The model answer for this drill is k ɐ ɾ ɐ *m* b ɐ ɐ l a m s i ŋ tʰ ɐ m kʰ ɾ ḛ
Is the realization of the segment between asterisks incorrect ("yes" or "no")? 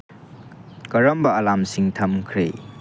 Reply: no